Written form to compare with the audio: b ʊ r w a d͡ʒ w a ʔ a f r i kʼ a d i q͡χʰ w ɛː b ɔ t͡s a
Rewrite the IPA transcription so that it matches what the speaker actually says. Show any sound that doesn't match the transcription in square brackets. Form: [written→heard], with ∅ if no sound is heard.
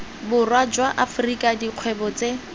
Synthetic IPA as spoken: b ʊ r w a d͡ʒ w a ʔ a f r i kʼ a d i q͡χʰ w [ɛː→ɛ] b ɔ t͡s [a→e]